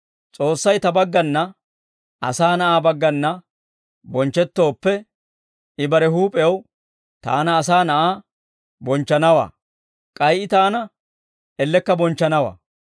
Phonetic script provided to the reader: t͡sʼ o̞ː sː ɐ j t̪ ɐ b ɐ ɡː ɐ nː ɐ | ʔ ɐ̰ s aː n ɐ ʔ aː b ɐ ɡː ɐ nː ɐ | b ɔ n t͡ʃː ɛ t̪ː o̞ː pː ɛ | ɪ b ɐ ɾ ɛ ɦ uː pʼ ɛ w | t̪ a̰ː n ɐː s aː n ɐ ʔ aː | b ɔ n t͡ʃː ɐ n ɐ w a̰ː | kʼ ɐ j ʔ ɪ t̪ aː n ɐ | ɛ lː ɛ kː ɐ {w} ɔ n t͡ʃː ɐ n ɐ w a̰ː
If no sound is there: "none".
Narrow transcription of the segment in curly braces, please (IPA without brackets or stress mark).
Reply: b